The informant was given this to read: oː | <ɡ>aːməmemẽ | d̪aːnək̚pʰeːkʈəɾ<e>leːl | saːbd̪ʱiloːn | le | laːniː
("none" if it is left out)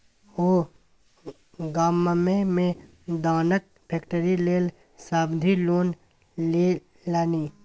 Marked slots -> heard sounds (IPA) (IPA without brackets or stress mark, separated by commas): ɡ, i